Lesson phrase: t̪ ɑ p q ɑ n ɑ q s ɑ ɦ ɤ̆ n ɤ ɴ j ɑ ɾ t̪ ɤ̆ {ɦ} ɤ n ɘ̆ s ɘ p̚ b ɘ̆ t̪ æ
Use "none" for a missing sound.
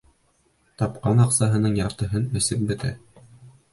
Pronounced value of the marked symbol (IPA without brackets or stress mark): ɦ